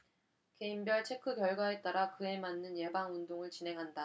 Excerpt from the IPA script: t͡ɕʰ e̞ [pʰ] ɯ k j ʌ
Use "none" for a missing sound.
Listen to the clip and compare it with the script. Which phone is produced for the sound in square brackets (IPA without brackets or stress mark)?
kʰ